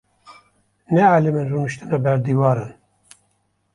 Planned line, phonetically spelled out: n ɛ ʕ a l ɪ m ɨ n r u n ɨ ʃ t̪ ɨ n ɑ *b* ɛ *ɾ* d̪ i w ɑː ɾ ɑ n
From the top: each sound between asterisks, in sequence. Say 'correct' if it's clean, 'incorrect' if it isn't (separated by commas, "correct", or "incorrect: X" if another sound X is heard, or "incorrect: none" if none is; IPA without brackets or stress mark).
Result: correct, correct